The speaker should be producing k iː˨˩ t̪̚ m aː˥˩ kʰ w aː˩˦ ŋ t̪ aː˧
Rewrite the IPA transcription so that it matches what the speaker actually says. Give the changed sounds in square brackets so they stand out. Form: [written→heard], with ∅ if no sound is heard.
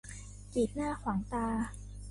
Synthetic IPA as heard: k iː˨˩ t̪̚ [m→n] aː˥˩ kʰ w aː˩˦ ŋ t̪ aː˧